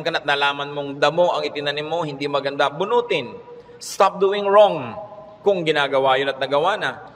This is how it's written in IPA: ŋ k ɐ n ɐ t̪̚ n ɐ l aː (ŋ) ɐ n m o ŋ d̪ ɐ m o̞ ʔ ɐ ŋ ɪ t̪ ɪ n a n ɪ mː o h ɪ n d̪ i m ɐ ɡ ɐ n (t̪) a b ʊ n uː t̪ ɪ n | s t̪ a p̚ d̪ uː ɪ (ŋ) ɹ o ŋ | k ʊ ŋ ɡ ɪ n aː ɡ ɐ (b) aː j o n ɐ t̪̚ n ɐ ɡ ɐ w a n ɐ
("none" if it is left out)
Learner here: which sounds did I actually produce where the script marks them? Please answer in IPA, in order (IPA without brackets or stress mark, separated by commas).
m, d̪, ŋ, w